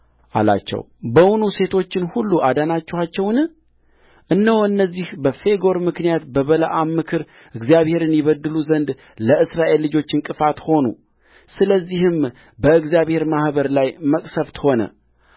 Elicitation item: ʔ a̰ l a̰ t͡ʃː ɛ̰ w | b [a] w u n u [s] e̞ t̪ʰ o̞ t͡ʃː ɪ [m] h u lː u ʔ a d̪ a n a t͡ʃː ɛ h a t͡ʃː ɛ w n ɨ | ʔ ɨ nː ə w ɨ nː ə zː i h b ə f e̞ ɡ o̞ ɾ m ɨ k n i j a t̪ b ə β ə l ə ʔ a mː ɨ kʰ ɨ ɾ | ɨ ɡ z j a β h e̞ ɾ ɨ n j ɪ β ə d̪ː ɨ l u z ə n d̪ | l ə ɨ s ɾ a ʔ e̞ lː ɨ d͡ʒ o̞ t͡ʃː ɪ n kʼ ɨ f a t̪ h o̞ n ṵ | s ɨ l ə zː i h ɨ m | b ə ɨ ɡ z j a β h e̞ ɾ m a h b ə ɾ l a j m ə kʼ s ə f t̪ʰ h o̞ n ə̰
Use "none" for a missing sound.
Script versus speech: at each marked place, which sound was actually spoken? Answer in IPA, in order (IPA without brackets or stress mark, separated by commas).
ə, s, n